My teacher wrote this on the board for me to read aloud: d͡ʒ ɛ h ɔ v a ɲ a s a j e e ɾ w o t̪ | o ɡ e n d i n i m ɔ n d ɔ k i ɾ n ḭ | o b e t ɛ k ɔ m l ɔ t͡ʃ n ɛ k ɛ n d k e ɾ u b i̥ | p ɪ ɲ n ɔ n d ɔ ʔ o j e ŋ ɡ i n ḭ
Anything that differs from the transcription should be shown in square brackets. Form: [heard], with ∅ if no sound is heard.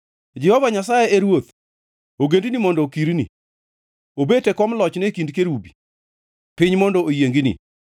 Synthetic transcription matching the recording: d͡ʒ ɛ h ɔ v a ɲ a s a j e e ɾ w o t̪ | o ɡ e n d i n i m ɔ n d ɔ k i ɾ n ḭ | o b e t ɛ k ɔ m l ɔ t͡ʃ n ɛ k [i] n d k e ɾ u b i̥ | p ɪ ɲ [m] ɔ n d ɔ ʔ o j e ŋ ɡ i n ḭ